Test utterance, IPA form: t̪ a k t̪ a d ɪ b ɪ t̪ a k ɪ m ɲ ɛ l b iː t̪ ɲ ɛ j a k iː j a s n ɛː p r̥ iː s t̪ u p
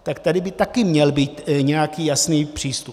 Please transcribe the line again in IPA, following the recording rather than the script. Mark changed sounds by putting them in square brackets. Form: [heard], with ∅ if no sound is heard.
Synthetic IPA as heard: t̪ a k t̪ a d ɪ b ɪ t̪ a k ɪ m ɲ ɛ l b iː t̪ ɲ ɛ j a k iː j a s n [iː] p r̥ iː s t̪ u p